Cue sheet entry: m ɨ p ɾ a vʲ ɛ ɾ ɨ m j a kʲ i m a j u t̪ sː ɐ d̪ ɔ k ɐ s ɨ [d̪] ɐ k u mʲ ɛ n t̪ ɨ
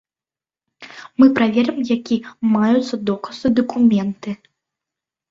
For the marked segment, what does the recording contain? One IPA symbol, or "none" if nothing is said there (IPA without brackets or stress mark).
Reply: d̪